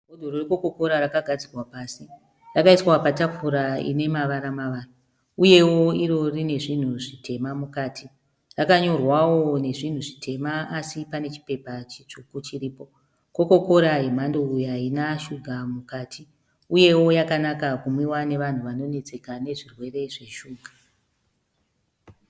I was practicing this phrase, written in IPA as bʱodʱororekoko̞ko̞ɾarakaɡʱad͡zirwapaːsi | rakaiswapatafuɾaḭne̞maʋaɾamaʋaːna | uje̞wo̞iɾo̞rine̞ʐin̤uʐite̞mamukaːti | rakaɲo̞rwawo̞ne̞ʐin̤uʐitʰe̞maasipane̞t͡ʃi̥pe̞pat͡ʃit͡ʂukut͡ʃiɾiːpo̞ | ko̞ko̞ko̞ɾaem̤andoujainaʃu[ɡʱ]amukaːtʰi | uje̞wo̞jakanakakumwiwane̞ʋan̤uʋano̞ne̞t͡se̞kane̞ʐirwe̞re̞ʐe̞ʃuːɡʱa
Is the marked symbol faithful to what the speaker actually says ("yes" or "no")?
yes